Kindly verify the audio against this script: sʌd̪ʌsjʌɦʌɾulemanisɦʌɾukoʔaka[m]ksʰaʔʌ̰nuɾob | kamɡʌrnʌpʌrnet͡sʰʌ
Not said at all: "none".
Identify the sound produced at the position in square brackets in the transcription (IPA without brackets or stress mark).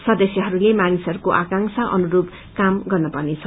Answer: ŋ